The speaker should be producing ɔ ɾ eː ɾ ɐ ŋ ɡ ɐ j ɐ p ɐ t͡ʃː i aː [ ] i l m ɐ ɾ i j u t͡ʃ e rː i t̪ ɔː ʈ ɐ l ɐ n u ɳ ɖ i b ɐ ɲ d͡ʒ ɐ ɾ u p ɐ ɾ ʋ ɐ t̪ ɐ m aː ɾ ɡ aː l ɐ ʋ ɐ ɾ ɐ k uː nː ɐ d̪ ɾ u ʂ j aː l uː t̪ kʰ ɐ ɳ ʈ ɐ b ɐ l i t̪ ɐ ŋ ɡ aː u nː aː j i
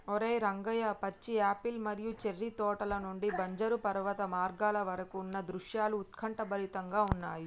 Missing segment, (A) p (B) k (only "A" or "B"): A